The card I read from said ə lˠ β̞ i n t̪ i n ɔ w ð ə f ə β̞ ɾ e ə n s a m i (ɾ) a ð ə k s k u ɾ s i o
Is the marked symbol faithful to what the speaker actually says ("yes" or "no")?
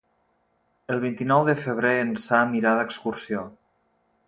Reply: yes